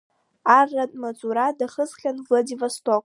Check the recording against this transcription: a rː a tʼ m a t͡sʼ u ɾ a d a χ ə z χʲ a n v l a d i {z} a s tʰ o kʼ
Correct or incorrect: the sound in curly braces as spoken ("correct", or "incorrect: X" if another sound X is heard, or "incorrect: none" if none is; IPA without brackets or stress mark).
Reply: incorrect: v